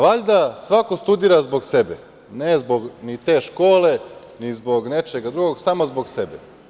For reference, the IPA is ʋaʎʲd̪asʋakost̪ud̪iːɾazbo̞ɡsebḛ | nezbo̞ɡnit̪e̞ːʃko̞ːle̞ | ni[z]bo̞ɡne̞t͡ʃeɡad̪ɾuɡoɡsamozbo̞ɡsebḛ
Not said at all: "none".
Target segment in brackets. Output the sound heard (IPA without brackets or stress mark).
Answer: z